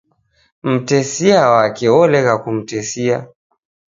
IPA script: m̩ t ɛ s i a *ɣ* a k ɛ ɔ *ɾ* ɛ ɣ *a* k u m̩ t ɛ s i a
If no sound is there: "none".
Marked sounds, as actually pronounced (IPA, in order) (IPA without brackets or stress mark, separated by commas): w, l, a